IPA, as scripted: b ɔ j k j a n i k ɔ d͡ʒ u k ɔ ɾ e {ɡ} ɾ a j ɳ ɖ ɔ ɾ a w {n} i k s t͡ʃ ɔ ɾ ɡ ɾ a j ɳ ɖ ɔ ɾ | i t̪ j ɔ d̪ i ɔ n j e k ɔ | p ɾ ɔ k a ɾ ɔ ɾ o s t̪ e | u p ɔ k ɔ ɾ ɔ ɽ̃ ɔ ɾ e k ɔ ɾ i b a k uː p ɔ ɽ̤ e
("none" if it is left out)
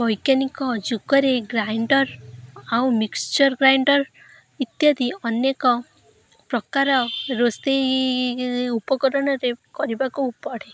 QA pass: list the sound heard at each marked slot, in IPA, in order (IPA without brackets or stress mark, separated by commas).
ɡ, m